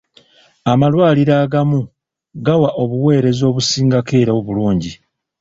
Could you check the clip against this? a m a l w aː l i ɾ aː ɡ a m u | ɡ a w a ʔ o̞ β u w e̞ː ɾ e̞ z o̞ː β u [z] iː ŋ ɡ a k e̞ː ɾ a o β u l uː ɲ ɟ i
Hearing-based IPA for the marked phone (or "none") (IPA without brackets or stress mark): s